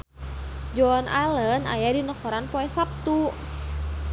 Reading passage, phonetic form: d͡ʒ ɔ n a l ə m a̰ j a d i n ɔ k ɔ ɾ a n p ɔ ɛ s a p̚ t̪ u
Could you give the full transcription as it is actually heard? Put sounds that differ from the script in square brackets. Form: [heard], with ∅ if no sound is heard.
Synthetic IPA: d͡ʒ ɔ n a l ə [n] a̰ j a d i n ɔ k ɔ ɾ a n p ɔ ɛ s a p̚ t̪ u